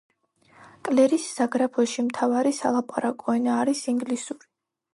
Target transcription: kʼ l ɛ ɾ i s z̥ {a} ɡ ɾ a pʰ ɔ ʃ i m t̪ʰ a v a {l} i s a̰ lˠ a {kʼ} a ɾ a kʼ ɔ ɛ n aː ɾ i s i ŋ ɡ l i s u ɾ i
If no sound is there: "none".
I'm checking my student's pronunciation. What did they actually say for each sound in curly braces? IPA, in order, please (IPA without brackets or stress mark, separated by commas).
a, ɾ, pʼ